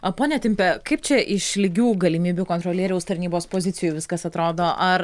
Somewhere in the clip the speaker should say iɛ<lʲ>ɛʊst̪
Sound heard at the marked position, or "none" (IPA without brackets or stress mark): ɾʲ